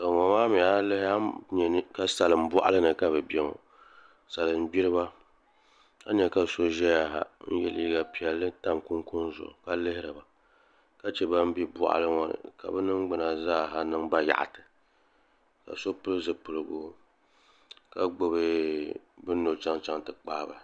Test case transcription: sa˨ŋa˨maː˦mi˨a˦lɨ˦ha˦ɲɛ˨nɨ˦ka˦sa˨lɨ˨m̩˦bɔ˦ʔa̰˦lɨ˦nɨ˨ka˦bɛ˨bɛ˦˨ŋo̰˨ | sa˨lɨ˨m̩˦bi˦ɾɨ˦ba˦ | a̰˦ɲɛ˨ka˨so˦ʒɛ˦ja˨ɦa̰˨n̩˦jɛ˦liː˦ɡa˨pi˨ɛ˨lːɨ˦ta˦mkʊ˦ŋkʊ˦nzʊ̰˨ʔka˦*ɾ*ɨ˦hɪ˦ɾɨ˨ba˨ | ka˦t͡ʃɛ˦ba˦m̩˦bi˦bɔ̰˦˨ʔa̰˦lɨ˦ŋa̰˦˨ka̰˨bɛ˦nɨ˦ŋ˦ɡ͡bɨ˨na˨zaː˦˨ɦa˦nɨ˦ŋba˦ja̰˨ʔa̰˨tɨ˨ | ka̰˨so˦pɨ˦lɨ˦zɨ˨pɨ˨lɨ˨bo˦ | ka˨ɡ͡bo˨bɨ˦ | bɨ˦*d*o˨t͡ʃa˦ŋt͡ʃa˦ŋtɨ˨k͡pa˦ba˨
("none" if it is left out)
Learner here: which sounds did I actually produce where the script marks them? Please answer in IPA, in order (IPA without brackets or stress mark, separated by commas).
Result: l, n